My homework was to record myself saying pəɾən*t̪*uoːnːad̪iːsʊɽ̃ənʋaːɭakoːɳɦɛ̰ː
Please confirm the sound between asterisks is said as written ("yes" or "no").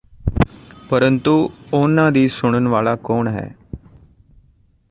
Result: yes